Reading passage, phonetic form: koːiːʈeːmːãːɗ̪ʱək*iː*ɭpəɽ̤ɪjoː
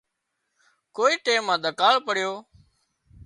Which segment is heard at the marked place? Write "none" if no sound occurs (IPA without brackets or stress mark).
aː